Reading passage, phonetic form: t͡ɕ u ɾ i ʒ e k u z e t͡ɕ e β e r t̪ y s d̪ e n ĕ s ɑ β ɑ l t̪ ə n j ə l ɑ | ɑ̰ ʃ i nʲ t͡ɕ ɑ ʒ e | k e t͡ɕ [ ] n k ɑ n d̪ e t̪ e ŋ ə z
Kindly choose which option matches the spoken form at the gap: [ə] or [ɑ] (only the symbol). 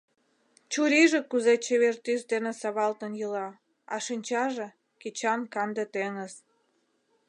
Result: ɑ